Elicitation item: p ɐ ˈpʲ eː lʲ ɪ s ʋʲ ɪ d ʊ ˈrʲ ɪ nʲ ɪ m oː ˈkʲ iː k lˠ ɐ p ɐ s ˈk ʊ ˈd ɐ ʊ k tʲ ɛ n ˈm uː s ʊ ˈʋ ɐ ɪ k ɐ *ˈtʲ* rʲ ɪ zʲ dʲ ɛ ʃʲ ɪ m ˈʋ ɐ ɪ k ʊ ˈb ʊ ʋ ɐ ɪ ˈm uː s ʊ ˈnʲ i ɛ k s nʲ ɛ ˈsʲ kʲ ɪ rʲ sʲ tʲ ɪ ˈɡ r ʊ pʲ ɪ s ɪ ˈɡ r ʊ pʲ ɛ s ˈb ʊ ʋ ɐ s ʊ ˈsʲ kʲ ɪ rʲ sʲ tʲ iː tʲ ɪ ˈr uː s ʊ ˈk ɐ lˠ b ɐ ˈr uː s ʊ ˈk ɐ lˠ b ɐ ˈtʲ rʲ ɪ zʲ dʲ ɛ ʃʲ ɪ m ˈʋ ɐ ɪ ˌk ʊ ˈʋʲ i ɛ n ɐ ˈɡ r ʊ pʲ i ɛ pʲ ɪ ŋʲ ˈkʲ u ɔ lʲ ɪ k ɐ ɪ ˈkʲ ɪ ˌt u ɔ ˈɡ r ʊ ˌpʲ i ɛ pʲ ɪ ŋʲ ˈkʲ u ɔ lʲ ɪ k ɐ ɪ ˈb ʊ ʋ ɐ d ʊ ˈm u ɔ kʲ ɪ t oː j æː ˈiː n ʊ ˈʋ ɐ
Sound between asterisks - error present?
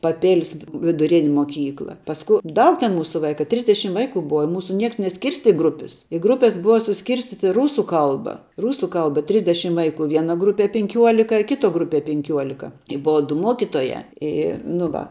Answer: no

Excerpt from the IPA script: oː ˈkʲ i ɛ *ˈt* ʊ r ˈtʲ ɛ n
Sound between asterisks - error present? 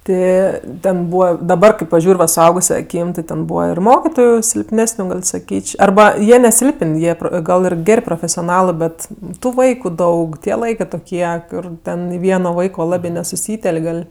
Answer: yes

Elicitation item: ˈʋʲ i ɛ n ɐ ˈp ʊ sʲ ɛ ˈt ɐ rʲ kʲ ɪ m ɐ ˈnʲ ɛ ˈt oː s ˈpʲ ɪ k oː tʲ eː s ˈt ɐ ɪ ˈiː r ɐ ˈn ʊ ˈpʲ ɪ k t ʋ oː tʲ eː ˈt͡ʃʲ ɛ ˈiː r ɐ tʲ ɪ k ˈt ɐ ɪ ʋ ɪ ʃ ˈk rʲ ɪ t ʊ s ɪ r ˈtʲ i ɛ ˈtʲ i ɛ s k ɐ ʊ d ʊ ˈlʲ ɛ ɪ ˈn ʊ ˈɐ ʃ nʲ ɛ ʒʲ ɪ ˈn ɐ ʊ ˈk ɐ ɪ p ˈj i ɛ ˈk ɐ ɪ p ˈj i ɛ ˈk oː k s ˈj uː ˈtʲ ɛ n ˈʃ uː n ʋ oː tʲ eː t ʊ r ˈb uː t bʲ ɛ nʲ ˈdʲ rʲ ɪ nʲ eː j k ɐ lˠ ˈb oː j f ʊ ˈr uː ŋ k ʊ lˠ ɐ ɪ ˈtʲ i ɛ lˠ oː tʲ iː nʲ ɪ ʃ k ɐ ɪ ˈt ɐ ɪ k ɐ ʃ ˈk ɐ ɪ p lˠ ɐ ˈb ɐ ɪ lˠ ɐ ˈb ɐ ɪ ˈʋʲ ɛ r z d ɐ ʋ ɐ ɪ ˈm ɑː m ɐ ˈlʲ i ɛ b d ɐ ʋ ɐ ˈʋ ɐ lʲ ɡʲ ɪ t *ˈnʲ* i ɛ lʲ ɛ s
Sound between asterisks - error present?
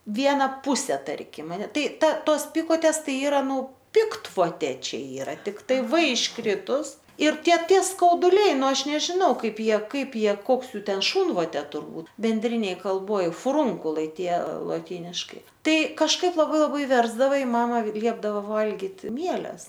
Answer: yes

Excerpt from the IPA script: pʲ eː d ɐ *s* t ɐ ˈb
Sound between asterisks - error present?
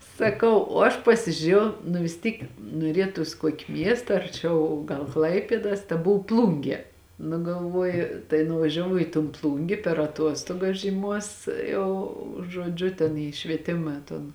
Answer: no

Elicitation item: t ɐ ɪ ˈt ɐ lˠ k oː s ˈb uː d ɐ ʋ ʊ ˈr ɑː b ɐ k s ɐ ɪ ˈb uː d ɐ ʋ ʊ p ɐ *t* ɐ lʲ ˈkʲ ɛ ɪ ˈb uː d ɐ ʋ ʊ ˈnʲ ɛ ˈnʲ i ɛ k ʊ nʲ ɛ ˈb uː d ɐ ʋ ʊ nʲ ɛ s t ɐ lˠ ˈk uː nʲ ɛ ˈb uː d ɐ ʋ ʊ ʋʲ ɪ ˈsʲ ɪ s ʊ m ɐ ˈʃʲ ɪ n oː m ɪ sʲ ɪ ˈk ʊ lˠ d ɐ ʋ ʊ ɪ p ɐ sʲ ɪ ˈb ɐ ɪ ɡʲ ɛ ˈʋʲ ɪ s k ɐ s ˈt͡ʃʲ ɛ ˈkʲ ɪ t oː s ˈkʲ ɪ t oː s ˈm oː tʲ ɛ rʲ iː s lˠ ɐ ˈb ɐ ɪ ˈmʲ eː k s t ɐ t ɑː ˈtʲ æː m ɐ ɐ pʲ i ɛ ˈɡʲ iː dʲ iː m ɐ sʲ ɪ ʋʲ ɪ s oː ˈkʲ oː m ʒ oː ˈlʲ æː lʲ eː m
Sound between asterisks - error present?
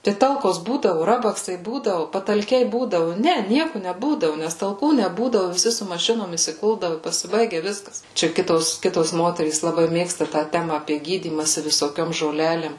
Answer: no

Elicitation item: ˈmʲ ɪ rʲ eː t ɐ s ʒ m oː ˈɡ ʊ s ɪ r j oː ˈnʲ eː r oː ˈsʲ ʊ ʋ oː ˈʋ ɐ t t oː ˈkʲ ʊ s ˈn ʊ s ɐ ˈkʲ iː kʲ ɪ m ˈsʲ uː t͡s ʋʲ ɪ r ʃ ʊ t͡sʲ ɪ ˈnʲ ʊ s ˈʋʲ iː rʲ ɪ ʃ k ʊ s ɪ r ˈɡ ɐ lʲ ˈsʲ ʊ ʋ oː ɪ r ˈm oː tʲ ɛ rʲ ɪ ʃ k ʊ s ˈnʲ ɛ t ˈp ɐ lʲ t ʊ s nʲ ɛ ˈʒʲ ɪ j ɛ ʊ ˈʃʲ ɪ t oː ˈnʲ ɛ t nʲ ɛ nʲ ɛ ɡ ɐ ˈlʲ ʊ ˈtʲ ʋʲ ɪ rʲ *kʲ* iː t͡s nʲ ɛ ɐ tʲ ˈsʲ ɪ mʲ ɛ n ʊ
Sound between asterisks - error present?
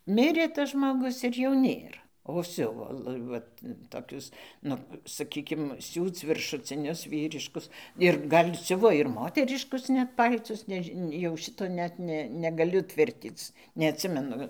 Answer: yes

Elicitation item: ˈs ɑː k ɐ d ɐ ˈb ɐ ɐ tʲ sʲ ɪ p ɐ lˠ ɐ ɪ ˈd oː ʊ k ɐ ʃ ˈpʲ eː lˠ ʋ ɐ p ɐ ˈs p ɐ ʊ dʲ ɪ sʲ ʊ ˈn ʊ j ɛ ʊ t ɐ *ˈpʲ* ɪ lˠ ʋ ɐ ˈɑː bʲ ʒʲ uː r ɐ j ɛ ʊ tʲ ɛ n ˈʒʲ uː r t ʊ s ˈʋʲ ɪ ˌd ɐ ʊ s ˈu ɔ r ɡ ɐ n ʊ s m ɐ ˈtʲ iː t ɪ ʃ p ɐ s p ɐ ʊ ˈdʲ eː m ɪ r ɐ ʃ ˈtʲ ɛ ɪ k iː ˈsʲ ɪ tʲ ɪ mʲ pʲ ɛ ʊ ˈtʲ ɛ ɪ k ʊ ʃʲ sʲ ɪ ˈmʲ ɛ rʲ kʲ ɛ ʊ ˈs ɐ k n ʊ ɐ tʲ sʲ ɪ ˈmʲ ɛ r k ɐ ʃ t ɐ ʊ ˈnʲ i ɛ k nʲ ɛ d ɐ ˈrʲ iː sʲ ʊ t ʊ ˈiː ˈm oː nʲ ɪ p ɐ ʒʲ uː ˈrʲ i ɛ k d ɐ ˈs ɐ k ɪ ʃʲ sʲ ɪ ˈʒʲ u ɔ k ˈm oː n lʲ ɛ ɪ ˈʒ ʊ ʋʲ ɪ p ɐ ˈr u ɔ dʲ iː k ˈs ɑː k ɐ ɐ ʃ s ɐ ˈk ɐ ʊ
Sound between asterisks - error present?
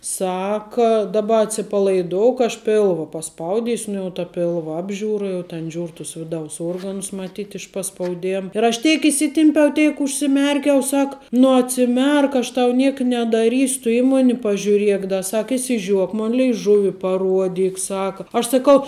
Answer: no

